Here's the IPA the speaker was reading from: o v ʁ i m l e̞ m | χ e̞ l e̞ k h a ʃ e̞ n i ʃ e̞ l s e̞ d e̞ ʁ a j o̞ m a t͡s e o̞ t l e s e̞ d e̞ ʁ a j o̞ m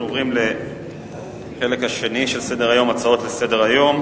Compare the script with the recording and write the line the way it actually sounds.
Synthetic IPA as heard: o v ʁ i m l e̞ | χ e̞ l e̞ k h a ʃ e̞ n i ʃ e̞ l s e̞ d e̞ ʁ a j o̞ m a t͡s a o̞ t l e s e̞ d e̞ ʁ a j o̞ m